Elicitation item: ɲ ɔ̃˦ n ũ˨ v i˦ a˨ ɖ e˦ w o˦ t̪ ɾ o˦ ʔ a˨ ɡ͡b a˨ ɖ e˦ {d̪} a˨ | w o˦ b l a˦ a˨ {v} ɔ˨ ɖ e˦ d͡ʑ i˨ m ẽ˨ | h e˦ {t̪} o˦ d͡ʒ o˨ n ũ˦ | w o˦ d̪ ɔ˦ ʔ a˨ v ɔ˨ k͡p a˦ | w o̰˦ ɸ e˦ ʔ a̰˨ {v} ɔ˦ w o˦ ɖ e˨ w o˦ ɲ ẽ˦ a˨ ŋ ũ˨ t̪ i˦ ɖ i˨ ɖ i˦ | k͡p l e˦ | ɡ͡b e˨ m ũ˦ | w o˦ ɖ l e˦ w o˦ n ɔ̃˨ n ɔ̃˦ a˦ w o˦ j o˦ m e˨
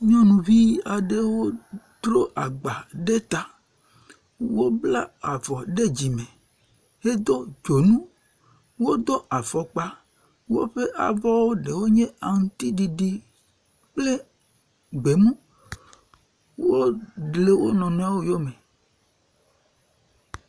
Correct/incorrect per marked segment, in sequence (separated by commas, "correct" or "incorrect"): incorrect, correct, incorrect, correct